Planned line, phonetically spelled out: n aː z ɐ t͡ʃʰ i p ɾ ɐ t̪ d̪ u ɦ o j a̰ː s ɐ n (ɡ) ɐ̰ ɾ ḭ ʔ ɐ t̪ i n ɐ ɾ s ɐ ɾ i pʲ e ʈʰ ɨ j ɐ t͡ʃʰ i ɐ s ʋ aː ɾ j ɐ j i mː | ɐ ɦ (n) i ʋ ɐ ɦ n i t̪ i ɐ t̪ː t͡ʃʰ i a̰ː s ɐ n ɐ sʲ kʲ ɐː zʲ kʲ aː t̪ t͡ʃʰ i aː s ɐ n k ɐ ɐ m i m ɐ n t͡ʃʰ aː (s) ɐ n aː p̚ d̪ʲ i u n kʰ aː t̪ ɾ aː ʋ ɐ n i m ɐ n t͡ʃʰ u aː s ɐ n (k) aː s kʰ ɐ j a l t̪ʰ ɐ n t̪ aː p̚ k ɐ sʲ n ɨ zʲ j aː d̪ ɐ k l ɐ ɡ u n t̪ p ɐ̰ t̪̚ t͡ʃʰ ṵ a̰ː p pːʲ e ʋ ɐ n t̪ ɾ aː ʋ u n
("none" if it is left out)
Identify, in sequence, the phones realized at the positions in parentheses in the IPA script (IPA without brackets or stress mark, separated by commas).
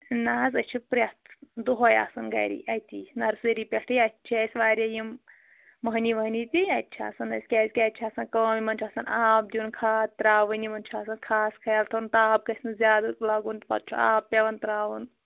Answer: ɡ, n, s, kʰ